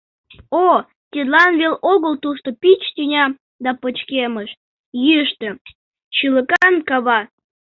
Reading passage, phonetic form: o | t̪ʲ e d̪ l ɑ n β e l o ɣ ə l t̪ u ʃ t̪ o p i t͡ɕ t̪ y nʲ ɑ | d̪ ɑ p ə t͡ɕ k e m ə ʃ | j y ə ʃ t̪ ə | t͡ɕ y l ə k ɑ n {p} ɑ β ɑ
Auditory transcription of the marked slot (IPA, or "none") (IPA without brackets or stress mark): k